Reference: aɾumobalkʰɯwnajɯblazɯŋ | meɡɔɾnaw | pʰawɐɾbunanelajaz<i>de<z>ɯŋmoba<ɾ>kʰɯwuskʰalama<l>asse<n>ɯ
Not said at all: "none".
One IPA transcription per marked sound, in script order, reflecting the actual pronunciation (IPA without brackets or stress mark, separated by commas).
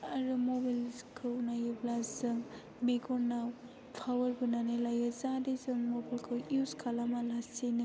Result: a, z, l, l, n